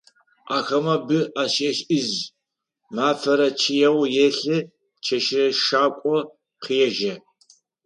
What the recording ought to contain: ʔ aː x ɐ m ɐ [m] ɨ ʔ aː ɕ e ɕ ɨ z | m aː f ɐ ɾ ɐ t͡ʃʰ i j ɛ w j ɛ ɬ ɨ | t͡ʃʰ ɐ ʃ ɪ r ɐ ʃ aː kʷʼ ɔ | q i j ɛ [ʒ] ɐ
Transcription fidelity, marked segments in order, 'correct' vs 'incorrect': incorrect, correct

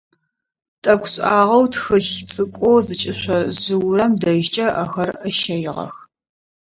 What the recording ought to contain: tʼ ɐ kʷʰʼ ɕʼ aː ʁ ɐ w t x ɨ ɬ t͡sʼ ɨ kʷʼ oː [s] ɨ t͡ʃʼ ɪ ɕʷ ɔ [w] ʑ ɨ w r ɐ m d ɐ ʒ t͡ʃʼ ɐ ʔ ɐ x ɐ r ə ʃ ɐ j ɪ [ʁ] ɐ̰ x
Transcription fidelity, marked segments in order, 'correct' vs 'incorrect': incorrect, incorrect, correct

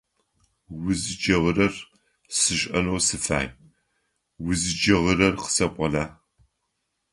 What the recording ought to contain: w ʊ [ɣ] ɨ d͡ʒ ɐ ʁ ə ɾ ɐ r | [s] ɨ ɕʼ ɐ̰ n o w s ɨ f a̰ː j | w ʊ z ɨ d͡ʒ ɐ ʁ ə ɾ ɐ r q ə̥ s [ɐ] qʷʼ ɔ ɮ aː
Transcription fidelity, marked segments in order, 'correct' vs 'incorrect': incorrect, correct, correct

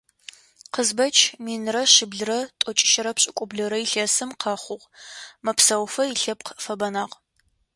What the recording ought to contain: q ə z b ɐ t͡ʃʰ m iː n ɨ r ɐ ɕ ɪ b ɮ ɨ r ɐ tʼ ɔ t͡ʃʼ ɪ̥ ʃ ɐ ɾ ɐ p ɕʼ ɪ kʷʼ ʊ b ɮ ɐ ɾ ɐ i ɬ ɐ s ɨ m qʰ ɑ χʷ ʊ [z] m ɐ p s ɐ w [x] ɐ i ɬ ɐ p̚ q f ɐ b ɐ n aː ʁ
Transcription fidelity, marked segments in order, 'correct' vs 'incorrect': incorrect, incorrect

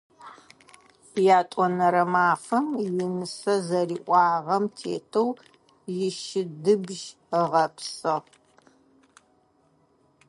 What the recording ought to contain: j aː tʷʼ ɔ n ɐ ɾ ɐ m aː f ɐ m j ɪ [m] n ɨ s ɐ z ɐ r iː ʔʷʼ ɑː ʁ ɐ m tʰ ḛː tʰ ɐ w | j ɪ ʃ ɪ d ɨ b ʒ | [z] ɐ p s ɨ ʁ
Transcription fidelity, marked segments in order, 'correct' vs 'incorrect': incorrect, incorrect

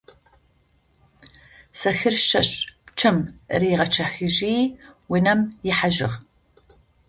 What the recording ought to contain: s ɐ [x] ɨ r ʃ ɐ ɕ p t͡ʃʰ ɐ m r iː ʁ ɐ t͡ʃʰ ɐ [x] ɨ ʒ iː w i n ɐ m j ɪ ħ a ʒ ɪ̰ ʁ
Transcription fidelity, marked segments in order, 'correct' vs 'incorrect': correct, correct

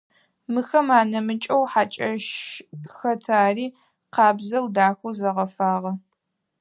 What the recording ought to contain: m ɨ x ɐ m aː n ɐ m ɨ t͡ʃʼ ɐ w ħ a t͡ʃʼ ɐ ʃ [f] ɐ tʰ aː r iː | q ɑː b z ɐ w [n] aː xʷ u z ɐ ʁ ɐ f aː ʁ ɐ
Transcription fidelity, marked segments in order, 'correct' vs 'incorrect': incorrect, incorrect

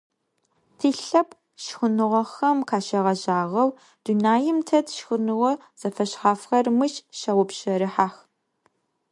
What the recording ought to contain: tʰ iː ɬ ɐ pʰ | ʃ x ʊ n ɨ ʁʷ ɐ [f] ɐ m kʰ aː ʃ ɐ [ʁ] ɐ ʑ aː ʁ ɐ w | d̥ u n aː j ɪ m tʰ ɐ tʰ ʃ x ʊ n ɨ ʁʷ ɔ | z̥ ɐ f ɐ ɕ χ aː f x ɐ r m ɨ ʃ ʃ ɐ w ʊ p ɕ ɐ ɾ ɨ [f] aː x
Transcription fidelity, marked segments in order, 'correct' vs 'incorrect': incorrect, correct, incorrect

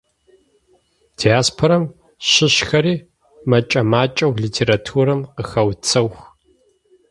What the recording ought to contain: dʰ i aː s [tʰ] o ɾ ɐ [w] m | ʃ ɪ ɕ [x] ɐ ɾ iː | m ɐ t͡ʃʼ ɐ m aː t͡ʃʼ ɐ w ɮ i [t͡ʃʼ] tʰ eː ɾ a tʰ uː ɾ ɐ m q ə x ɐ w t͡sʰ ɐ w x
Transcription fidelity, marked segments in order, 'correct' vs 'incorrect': incorrect, incorrect, correct, incorrect

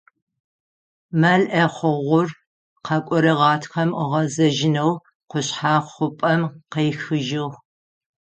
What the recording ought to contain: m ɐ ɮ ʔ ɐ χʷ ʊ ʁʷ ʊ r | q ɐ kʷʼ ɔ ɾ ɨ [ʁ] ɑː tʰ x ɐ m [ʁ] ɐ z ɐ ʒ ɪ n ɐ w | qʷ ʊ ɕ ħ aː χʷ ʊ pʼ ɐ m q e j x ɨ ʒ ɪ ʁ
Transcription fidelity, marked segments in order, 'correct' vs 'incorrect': correct, correct

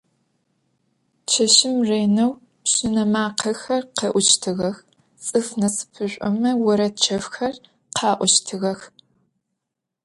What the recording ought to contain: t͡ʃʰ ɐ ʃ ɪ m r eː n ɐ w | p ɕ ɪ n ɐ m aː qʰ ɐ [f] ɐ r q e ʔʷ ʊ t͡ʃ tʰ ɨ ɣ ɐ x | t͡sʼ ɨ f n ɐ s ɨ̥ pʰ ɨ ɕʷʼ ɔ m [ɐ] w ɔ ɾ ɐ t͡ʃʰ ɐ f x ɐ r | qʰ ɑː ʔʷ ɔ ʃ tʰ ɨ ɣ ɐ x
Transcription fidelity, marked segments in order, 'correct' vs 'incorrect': incorrect, correct

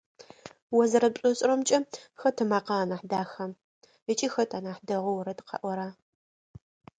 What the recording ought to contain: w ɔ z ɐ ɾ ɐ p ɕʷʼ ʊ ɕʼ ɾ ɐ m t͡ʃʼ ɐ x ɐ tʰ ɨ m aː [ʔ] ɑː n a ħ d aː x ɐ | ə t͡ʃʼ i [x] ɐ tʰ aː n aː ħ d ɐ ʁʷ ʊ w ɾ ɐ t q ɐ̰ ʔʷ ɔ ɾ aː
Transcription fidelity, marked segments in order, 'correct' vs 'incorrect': incorrect, correct

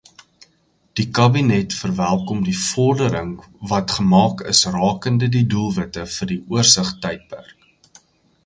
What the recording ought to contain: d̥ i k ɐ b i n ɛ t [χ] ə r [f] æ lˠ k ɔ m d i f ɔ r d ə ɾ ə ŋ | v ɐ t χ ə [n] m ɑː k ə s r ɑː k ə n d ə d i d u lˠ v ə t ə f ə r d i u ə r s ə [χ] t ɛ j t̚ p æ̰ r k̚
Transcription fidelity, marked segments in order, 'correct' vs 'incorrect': incorrect, incorrect, incorrect, correct

